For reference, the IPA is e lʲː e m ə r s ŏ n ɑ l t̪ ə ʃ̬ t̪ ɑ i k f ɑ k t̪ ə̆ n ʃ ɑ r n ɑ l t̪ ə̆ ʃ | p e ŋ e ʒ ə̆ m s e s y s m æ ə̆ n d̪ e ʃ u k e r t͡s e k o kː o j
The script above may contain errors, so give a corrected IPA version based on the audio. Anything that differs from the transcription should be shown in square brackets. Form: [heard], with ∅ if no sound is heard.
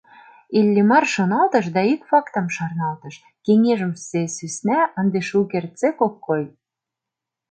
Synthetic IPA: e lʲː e m [ɑ] r [ʃ] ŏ n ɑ l t̪ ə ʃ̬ [d̪] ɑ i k f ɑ k t̪ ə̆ [m] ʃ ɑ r n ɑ l t̪ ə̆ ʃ | [k] e ŋ e ʒ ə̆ m s e s y s [n] æ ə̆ n d̪ e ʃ u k e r t͡s e k o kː o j